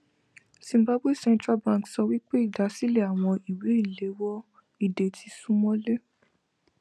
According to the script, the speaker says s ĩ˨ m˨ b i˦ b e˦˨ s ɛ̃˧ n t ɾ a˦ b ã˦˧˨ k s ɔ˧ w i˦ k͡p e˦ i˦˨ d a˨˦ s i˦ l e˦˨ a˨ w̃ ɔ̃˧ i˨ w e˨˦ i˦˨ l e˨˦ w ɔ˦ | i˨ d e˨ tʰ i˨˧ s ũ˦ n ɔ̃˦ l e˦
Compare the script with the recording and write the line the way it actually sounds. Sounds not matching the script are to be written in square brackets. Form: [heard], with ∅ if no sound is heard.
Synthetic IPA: s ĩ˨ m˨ b [a˦] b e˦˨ s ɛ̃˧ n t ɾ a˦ b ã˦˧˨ k s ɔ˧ w i˦ k͡p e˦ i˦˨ d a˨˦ s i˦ l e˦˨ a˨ w̃ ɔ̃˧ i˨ w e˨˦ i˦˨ l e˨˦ w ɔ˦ | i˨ d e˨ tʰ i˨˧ s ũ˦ [m] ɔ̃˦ l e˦

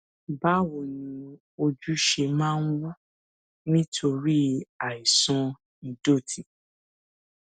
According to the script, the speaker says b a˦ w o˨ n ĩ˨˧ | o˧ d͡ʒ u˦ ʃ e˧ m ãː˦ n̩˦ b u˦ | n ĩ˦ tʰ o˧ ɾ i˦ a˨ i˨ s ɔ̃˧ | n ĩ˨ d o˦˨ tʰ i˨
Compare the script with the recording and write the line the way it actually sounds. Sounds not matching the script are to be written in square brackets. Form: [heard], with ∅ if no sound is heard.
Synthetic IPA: b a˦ w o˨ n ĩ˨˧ | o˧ d͡ʒ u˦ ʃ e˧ m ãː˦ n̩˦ [w] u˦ | n ĩ˦ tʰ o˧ ɾ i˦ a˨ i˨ s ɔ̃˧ | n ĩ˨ d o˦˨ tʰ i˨

